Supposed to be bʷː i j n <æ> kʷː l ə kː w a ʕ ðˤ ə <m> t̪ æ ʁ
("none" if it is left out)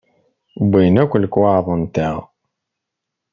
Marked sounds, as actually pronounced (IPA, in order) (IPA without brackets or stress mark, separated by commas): æ, n